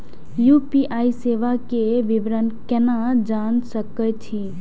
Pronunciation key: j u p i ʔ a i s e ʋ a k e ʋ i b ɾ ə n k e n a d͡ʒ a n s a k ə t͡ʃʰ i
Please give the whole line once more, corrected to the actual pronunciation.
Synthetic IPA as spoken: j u p i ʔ a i s e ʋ a k e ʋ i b ɾ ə n k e n a d͡ʒ a n s ə k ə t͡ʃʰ i